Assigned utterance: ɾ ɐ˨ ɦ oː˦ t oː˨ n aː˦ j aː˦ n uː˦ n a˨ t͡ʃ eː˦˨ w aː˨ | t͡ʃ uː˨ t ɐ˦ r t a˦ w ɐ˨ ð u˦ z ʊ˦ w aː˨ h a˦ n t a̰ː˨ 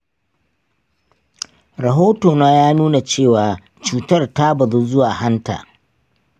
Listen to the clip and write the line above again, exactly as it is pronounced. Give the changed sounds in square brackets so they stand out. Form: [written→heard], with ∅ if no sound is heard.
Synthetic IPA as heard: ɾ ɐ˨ ɦ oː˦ t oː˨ n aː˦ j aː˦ n uː˦ n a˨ t͡ʃ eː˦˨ w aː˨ | t͡ʃ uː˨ t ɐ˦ r t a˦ [w→b] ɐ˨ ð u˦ z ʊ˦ w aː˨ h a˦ n t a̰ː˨